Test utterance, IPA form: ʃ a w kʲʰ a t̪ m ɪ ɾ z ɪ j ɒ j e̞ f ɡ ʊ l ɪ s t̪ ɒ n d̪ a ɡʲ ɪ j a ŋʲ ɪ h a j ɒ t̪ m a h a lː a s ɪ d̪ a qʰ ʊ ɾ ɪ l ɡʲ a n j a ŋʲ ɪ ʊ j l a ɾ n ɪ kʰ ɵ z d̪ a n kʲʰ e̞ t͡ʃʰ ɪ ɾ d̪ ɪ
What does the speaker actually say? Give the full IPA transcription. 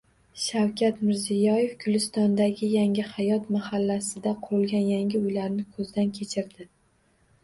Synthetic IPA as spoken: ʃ a w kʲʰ a t̪ m ɪ ɾ z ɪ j ɒ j e̞ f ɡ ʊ l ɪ s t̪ ɒ n d̪ a ɡʲ ɪ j a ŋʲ ɪ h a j ɒ t̪ m a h a lː a s ɪ d̪ a qʰ ʊ ɾ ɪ l ɡʲ a n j a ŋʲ ɪ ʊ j l a ɾ n ɪ kʰ ɵ z d̪ a n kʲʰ e̞ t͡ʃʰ ɪ ɾ d̪ ɪ